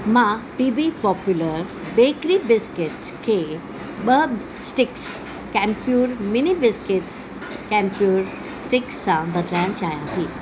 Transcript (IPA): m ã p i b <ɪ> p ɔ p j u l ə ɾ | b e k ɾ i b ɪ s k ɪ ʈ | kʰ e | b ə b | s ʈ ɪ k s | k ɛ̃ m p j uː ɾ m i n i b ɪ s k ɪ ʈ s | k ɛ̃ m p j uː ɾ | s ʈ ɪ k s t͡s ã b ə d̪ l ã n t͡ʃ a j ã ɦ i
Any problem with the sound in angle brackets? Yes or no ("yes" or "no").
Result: yes